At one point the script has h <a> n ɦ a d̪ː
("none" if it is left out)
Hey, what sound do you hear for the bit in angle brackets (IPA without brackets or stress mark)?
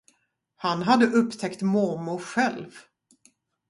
a